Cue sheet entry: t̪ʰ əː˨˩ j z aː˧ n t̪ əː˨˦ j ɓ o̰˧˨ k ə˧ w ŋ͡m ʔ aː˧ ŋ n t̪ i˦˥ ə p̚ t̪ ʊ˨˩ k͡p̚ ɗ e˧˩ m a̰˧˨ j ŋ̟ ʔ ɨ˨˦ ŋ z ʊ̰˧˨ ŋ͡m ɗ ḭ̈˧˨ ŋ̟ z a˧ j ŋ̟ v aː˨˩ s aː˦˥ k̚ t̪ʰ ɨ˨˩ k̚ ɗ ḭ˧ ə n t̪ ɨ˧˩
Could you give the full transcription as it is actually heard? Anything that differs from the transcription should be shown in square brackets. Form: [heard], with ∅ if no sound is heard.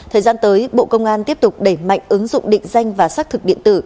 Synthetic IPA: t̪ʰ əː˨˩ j z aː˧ n t̪ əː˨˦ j ɓ o̰˧˨ k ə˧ w ŋ͡m ʔ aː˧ [∅] n t̪ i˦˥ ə p̚ t̪ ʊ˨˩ k͡p̚ ɗ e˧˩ m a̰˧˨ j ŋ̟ ʔ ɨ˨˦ ŋ z ʊ̰˧˨ ŋ͡m ɗ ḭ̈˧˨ ŋ̟ z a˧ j ŋ̟ v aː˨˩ s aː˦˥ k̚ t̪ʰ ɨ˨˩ k̚ ɗ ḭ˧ ə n t̪ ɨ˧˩